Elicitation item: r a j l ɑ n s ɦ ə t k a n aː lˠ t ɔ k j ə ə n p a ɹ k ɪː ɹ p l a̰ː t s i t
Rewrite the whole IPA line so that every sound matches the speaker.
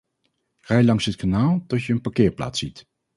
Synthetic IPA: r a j l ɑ ŋ s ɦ ə t k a n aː lˠ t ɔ t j ə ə n p a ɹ k ɪː ɹ p l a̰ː t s i t